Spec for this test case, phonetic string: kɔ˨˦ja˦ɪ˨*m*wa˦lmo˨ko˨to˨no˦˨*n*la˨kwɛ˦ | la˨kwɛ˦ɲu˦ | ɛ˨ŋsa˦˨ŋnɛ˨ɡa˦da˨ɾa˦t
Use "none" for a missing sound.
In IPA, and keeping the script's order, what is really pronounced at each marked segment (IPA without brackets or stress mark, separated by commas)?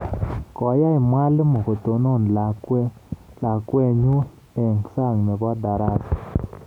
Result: m, n